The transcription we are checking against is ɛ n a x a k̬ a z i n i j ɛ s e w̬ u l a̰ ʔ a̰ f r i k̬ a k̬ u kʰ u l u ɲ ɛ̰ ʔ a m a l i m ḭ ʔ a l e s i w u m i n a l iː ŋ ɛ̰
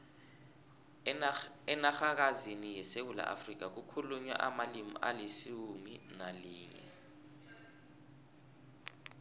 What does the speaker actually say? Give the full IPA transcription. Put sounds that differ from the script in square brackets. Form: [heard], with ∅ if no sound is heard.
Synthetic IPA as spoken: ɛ n a x a k̬ a z i n i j ɛ s e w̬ u l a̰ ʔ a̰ f r i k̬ a k̬ u kʰ u l u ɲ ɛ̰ ʔ a m a l i m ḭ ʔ a l e s i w u m i n a l iː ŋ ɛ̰

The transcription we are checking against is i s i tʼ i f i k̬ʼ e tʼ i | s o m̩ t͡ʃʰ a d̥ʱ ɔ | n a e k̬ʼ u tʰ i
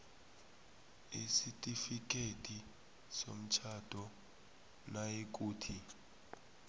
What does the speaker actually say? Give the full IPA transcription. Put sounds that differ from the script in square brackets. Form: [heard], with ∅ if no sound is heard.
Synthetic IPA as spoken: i s i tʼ i f i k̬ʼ e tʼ i | s o m̩ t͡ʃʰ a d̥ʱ ɔ | n a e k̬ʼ [uː] tʰ i

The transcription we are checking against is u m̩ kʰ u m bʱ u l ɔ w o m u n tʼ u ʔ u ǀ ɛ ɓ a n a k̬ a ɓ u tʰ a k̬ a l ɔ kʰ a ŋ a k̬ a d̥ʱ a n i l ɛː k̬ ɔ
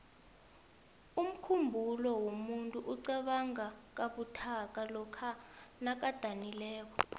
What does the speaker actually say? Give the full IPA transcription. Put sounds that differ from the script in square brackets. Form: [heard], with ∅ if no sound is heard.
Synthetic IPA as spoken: u m̩ kʰ u m bʱ u l ɔ w o m u n tʼ u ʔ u ǀ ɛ ɓ a [ŋ] a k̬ a ɓ u tʰ a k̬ a l ɔ kʰ a [n] a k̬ a d̥ʱ a n i l ɛː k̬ ɔ

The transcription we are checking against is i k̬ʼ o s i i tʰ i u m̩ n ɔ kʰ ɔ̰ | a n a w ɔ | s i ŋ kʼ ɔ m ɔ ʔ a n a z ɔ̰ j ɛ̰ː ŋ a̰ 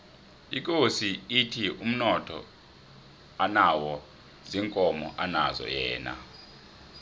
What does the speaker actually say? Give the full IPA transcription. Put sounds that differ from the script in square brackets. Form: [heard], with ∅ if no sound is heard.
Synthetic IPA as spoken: i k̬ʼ o s i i tʰ i u m̩ n ɔ [tʰ] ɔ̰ | a n a w ɔ | [z] i ŋ kʼ ɔ m ɔ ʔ a n a z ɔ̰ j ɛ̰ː [n] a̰

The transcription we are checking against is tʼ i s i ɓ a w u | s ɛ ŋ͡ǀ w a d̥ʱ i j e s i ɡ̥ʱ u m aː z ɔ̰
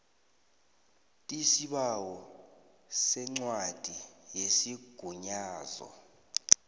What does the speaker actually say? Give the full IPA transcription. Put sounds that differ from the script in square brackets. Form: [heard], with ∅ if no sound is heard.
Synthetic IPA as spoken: tʼ i s i ɓ a w [ɔ] | s ɛ ŋ͡ǀ w a d̥ʱ i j e s i ɡ̥ʱ u [ɲ] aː z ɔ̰

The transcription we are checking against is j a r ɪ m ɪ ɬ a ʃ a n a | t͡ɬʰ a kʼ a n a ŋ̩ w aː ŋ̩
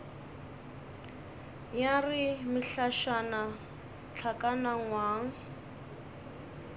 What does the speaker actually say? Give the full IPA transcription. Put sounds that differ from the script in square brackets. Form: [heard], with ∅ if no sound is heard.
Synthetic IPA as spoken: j a r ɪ m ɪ ɬ a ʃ a n a | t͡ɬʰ a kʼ a n a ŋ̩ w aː ŋ̩

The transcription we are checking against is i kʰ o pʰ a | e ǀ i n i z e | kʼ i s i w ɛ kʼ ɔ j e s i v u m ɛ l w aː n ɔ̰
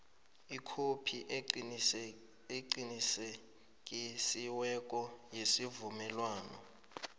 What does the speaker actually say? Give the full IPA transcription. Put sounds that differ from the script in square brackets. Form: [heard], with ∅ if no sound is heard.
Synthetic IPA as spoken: i kʰ o pʰ [i] | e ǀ i n i [s] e | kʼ i s i w ɛ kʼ ɔ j e s i v u m ɛ l w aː n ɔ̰

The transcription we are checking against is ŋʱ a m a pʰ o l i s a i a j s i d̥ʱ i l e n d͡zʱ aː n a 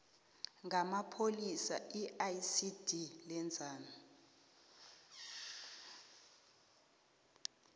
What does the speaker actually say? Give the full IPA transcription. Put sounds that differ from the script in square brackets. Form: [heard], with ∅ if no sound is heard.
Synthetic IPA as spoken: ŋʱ a m a pʰ o l i s a i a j s i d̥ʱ i l [ɛ] n d͡zʱ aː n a

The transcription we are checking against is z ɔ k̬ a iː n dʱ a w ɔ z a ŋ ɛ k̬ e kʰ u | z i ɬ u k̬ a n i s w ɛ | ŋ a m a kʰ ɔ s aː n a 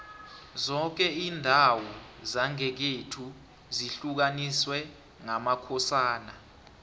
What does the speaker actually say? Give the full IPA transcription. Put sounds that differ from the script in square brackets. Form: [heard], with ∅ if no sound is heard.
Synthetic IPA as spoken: z ɔ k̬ [ɛ] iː n dʱ a w ɔ z a ŋ ɛ k̬ e [tʰ] u | z i ɬ u k̬ a n i s w ɛ | ŋ a m a kʰ ɔ s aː n a

